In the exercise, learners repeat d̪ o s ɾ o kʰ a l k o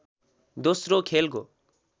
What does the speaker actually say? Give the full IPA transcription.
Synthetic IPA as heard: d̪ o s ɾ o kʰ e l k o